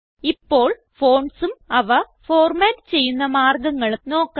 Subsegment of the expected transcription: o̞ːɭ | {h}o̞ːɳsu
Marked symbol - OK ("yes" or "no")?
no